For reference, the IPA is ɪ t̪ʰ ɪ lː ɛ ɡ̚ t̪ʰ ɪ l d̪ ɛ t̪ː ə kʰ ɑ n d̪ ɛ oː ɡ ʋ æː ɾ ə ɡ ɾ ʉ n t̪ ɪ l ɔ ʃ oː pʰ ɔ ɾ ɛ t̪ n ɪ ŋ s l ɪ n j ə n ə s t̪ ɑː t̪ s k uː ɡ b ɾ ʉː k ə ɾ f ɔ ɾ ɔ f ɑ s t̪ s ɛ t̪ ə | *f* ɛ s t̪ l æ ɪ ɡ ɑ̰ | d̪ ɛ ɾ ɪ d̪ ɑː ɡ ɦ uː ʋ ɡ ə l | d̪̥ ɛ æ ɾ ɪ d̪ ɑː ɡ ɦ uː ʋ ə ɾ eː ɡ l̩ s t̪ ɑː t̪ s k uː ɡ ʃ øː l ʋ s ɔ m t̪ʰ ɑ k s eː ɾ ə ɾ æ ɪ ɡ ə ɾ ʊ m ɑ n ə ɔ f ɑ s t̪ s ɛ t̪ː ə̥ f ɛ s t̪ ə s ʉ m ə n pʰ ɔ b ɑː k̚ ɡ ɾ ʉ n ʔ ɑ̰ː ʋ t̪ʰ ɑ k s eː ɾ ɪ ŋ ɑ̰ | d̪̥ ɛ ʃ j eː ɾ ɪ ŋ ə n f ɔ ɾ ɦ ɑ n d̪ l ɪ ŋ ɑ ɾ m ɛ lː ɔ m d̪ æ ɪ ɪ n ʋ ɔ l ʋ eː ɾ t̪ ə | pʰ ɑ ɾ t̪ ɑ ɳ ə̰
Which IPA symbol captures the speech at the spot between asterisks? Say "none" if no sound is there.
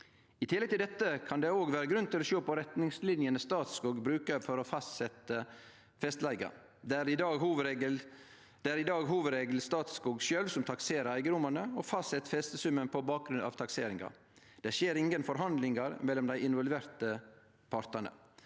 f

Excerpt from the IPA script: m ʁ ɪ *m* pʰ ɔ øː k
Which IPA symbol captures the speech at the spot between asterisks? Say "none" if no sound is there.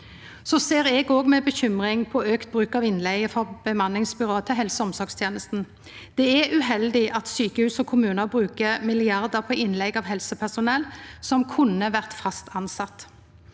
ŋ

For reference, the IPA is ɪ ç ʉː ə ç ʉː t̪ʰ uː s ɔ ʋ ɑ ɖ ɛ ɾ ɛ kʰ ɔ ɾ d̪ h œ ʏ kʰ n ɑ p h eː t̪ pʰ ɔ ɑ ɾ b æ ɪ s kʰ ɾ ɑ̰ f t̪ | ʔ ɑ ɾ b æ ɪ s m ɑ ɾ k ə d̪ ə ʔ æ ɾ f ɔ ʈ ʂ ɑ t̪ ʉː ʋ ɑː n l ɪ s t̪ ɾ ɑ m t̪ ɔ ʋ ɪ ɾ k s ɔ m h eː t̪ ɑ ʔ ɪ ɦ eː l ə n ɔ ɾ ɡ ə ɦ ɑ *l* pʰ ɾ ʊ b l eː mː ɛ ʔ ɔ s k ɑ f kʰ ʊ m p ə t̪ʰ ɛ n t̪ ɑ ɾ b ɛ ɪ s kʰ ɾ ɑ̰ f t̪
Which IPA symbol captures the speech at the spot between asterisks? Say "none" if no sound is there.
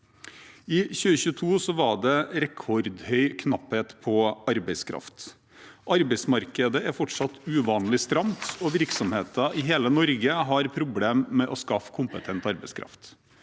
ɾ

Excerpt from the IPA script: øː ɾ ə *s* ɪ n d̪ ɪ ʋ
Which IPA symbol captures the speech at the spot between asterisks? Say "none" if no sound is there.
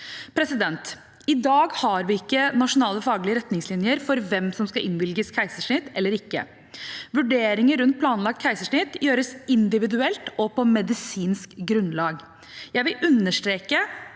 s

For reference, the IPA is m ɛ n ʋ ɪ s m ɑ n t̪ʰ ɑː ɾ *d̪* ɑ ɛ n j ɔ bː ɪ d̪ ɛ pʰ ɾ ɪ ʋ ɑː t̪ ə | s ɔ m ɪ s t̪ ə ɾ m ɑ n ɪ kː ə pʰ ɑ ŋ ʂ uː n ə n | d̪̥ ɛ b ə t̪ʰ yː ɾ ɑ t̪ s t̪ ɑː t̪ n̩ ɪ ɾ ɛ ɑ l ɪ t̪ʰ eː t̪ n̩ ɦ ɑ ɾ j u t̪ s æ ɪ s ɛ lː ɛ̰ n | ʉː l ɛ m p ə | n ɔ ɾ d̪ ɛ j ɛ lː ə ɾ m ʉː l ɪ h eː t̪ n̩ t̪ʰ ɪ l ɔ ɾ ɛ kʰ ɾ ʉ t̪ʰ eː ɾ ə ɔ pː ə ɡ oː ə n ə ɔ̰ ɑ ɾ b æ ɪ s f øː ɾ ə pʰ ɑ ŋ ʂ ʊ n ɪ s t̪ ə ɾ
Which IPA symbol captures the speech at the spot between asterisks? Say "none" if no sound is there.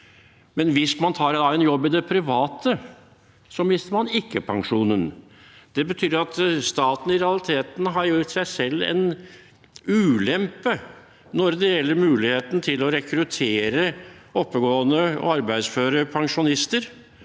d̪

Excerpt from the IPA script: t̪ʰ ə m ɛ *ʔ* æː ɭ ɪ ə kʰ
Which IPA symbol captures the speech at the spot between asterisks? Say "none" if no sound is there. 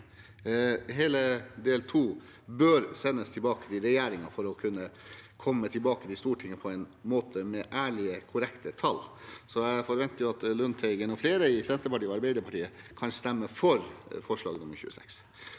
ʔ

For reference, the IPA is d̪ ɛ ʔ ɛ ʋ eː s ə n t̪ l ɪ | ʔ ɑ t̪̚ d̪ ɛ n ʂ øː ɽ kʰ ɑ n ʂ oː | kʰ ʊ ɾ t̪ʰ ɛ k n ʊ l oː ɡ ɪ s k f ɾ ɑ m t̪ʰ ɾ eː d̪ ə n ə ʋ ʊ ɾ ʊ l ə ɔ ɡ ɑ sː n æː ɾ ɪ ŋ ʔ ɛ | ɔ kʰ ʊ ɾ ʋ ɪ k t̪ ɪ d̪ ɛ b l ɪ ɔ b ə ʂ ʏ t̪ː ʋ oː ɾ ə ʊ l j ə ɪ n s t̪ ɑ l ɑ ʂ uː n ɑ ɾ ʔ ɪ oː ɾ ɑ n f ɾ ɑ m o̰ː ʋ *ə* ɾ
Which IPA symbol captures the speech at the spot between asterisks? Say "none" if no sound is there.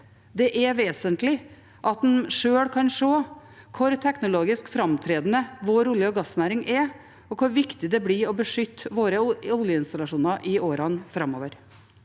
ə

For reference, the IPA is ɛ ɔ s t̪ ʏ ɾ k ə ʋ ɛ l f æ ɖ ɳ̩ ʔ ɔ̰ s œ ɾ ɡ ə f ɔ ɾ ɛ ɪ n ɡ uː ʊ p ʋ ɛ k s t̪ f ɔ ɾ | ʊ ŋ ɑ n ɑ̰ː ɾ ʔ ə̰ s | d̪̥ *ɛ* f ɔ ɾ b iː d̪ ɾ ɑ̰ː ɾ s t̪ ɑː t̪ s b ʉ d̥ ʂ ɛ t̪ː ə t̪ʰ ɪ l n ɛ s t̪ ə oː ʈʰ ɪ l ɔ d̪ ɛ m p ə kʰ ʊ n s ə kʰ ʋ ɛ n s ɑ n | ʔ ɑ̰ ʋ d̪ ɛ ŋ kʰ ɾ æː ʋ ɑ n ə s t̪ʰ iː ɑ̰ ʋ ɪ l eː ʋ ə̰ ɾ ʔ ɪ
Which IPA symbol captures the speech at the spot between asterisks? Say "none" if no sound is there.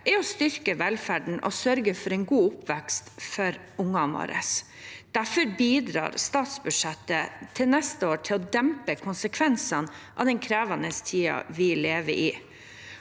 æ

